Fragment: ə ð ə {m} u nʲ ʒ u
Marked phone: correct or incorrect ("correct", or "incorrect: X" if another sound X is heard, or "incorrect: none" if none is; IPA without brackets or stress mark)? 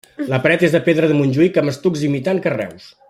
correct